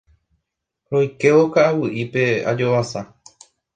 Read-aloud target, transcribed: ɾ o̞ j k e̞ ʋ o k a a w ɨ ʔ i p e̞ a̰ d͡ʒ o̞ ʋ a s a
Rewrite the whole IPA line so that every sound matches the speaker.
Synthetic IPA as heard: ɾ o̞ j k e̞ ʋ o k a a w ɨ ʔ i p e̞ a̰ d͡ʒ o̞ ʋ a s a